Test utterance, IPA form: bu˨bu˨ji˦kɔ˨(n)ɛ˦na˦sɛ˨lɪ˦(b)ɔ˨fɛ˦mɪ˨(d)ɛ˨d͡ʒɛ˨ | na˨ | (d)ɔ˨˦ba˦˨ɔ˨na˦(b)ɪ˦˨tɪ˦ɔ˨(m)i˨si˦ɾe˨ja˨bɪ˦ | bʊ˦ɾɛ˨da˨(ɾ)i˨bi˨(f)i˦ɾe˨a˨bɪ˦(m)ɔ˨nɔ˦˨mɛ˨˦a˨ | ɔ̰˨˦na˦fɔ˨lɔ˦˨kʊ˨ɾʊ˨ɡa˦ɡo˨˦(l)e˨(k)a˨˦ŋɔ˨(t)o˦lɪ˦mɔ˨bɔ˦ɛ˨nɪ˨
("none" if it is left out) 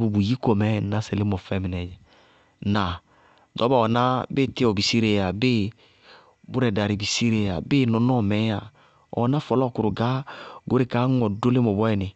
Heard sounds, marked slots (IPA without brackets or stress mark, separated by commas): m, m, n, d, b, b, ɾ, s, n, ɾ, k, d